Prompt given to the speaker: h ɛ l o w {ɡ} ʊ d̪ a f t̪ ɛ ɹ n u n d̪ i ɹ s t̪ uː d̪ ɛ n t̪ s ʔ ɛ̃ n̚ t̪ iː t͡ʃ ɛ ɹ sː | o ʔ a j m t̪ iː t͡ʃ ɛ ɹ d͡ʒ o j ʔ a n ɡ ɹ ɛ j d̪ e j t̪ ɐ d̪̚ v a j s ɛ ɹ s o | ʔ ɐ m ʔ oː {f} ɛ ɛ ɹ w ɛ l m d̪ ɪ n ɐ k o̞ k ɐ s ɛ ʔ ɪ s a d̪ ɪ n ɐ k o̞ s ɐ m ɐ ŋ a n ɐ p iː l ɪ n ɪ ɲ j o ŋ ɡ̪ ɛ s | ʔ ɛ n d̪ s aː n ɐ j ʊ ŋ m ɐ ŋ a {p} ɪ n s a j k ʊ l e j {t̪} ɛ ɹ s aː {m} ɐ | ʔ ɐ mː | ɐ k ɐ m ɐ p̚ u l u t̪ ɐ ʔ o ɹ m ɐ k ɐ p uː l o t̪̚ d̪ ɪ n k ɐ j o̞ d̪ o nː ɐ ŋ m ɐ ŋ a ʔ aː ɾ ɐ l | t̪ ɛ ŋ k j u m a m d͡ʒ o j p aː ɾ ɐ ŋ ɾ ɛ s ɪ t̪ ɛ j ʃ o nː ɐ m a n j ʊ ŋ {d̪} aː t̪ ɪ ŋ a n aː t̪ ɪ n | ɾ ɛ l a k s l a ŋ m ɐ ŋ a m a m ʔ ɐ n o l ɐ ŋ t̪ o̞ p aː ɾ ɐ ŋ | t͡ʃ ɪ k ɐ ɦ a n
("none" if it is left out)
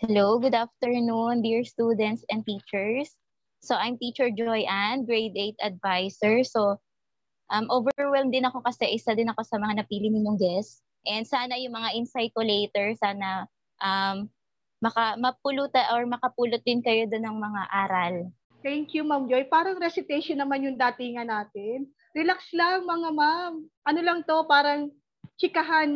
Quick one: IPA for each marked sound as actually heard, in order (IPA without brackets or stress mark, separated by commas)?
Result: ɡ, v, ʔ, t̪, n, d̪